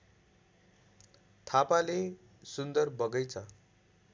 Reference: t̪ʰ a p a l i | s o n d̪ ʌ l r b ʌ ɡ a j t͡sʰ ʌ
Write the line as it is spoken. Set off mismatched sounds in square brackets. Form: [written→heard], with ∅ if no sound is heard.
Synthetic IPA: t̪ʰ a p a l [i→e] | s [o→u] n d̪ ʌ [l→∅] r b ʌ ɡ [a→ʌ] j t͡sʰ ʌ